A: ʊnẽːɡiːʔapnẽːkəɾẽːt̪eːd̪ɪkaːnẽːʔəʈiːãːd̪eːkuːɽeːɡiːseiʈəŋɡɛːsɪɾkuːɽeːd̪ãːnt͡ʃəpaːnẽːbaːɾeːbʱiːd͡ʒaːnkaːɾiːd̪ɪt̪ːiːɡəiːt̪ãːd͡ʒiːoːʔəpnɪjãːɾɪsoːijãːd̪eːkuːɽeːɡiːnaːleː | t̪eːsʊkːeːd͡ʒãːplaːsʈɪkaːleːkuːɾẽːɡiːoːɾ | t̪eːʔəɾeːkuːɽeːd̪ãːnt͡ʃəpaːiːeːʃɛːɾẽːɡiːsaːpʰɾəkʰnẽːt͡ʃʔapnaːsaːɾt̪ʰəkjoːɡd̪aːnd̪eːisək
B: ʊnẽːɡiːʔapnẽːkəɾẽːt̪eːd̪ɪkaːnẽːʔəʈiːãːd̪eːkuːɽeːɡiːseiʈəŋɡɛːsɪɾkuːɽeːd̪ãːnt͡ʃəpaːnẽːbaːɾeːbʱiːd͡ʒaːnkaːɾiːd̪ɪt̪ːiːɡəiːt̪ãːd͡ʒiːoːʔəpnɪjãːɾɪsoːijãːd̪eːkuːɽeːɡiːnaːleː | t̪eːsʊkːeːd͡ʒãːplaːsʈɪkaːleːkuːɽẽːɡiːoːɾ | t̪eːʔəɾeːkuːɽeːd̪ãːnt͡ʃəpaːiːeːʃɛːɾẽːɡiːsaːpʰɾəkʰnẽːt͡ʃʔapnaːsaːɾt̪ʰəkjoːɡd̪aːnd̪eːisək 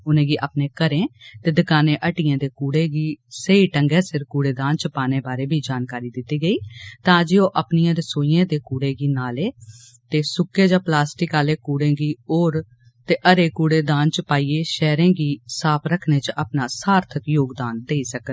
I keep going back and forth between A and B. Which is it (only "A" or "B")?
B